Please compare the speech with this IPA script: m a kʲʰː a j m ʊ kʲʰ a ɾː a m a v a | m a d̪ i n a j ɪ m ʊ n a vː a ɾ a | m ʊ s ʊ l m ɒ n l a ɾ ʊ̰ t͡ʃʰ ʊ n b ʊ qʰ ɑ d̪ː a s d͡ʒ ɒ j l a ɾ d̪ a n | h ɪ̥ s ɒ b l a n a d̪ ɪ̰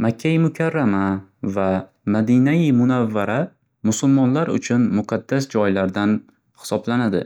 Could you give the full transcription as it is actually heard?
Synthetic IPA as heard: m a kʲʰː a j m ʊ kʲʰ a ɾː a m a v a | m a d̪ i n a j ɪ m ʊ n a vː a ɾ a | m ʊ s ʊ l m ɒ n l a ɾ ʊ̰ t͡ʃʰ ʊ n m ʊ qʰ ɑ d̪ː a s d͡ʒ ɒ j l a ɾ d̪ a n | h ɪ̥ s ɒ b l a n a d̪ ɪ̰